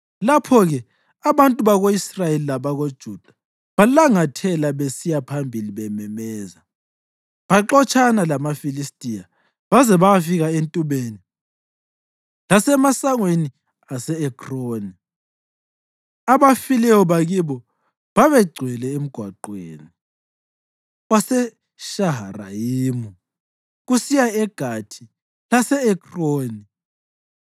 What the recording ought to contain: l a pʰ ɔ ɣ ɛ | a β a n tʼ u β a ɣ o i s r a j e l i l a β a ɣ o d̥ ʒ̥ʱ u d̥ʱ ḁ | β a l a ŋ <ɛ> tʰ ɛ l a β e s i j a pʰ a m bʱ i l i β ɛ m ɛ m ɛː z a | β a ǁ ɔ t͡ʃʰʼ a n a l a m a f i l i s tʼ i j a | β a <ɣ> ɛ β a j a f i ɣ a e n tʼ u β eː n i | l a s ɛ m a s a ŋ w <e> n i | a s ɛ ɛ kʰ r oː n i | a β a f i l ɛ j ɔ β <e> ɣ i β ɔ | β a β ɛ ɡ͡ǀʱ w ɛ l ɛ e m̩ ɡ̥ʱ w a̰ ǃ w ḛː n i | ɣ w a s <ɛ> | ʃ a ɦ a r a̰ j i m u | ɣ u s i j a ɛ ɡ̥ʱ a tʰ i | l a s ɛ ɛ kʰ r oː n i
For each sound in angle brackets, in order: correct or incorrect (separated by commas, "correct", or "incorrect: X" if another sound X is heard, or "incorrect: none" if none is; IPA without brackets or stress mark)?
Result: incorrect: a, incorrect: z, correct, incorrect: a, correct